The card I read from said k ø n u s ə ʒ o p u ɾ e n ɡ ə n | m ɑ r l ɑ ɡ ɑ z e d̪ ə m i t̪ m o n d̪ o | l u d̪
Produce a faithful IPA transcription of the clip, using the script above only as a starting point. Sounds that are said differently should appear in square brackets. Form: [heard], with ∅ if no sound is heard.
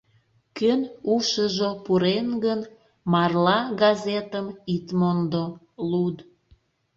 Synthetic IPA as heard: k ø n u [ʃ] ə ʒ o p u ɾ e n ɡ ə n | m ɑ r l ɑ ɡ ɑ z e [t̪] ə m i t̪ m o n d̪ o | l u d̪